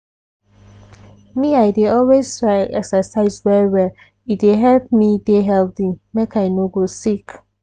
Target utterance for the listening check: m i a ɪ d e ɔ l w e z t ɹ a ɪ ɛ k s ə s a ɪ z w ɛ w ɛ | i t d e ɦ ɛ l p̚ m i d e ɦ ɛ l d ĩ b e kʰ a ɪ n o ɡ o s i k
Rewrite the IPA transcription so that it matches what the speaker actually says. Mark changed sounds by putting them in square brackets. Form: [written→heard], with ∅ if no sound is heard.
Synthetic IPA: m i a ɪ d e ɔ l w e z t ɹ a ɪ ɛ k s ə s a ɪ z w ɛ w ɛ | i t d e ɦ ɛ l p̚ m i d e ɦ ɛ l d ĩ [b→m] e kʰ a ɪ n o ɡ o s i k